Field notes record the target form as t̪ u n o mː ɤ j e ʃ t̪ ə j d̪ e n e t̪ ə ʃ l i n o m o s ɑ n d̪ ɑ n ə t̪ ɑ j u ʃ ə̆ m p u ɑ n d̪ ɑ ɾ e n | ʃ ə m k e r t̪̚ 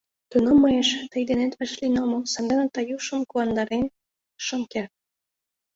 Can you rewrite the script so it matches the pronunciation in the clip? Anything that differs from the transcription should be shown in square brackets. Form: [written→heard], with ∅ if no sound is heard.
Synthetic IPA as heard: t̪ u n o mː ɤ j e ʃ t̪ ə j d̪ e n e t̪ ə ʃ l i n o m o s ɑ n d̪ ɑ n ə t̪ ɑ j u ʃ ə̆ m [p→k] u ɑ n d̪ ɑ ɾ e n | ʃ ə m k e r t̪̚